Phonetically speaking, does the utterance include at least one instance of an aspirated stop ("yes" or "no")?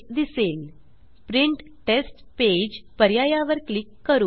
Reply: no